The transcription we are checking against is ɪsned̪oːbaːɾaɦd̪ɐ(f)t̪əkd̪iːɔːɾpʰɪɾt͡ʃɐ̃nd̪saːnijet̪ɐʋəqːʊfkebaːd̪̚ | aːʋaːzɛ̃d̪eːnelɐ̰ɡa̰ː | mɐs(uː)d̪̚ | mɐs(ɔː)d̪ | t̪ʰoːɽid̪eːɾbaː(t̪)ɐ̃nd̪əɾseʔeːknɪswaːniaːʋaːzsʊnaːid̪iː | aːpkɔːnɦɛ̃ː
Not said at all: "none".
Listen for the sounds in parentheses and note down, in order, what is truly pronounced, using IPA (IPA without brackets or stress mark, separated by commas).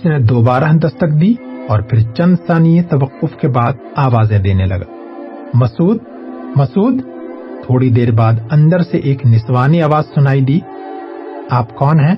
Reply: s, uː, uː, d̪